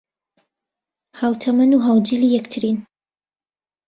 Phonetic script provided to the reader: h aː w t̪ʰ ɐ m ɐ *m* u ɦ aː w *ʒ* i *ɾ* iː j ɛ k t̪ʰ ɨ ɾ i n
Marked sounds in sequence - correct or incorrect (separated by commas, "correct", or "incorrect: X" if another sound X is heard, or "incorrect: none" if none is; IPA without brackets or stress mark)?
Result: incorrect: n, incorrect: d͡ʒ, incorrect: l